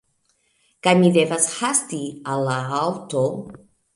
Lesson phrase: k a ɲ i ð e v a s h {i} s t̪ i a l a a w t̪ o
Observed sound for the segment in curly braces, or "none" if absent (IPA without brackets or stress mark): a